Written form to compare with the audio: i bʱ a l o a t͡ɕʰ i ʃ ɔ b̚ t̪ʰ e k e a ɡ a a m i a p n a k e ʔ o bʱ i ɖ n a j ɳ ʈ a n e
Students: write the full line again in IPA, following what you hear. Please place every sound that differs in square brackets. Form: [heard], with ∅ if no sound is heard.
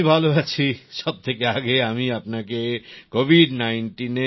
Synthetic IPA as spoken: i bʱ a l o a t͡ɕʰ i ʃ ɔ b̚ t̪ʰ e k e a ɡ [e] a m i a p n a k e [k] o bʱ i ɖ n a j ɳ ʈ [i] n e